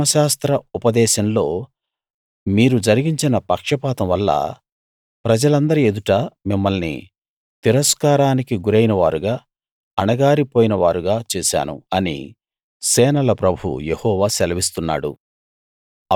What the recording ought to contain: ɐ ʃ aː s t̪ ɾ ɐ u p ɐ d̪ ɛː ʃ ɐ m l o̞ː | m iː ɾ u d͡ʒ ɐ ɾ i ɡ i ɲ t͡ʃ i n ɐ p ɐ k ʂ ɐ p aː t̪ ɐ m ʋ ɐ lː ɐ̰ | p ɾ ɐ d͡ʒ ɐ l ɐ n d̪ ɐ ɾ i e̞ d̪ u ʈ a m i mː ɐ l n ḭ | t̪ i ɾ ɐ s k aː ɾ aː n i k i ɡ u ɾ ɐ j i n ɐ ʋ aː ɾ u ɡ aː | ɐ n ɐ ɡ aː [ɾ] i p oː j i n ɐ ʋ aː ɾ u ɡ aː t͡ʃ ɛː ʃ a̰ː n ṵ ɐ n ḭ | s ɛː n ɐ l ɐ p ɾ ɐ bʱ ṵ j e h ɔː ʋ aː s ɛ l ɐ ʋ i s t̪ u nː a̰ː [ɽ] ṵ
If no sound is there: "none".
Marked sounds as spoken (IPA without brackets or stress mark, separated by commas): ɾ, ɽ